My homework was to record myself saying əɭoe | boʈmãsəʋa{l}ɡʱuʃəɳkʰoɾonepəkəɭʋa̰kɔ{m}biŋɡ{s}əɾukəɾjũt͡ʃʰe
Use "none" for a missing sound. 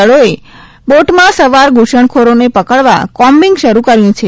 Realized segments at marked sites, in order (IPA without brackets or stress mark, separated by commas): ɾ, m, ʃ